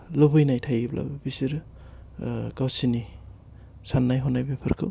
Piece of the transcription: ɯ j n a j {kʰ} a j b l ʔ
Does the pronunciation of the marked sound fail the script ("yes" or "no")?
yes